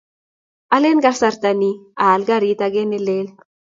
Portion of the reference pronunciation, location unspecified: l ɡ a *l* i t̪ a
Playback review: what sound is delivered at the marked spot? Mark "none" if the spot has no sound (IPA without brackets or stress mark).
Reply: ɾ